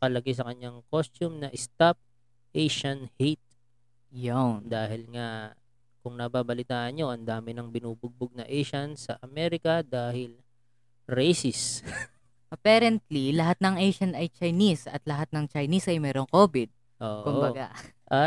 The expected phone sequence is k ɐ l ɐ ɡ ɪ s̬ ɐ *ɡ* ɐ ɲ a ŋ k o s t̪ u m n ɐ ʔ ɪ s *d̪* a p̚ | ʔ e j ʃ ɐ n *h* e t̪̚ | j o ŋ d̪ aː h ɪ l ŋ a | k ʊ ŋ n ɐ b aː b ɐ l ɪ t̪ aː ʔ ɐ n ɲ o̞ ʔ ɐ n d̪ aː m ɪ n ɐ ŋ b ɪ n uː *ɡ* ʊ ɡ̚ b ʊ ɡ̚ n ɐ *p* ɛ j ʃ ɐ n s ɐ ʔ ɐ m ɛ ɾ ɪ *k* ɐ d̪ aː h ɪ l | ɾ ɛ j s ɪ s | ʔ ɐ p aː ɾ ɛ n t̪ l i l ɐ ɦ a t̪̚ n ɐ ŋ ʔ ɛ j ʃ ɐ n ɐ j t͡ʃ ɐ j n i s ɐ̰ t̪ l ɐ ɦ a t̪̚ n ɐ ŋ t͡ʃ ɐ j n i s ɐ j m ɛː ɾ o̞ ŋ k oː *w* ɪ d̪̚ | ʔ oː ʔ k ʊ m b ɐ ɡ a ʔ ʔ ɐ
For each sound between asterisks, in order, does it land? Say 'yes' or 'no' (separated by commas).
no, no, yes, no, no, yes, no